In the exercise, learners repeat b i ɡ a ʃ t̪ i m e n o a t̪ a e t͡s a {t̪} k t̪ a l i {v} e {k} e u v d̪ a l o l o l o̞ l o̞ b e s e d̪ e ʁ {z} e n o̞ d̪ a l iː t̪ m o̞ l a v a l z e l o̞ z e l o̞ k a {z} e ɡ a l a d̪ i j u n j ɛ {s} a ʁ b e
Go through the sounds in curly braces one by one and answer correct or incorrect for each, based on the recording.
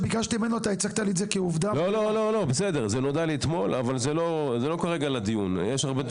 incorrect: none, incorrect: z, correct, correct, incorrect: ʁ, incorrect: ʃ

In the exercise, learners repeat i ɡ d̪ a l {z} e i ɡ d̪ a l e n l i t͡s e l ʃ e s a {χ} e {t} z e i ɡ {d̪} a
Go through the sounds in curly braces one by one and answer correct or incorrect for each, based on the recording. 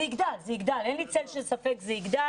correct, incorrect: f, incorrect: k, correct

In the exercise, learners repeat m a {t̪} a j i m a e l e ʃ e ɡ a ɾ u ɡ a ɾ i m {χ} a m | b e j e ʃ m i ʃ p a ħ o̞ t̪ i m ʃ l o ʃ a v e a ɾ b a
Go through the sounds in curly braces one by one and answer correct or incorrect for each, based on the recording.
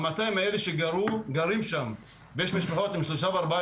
correct, incorrect: ʃ

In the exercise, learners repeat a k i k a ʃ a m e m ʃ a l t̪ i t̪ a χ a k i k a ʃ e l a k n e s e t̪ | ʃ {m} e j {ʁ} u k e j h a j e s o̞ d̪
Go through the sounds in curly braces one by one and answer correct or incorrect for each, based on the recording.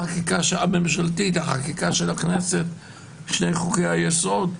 incorrect: n, incorrect: χ

